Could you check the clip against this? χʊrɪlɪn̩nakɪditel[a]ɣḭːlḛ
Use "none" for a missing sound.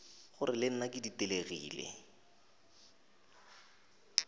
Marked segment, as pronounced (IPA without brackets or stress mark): e